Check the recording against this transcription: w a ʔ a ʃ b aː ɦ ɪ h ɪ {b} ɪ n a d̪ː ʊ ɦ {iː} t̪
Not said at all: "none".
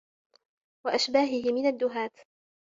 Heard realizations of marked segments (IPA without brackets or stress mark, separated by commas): m, aː